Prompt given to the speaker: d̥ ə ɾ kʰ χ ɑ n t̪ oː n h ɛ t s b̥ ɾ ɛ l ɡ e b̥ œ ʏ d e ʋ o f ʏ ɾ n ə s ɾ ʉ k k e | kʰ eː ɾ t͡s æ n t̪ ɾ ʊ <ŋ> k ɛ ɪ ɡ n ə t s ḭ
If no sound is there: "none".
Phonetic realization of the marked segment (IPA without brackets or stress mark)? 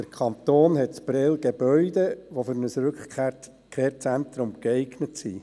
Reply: m